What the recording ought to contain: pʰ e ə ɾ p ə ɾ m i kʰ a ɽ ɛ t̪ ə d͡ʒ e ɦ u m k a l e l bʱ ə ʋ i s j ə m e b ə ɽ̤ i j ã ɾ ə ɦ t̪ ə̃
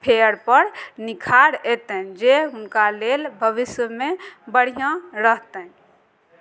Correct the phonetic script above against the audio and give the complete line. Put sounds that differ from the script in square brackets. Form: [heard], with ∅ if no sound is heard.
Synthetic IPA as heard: pʰ e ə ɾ p ə ɾ [n] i kʰ a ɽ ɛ t̪ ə d͡ʒ e ɦ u [n] k a l e l bʱ ə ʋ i s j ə m e b ə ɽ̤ i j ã ɾ ə ɦ t̪ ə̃